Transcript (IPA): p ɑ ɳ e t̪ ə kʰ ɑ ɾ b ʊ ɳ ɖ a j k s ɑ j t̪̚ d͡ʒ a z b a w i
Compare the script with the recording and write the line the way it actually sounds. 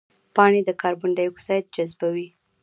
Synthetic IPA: p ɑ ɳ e d̪ ə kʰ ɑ ɾ b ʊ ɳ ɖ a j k s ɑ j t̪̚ d͡ʒ a z b a w i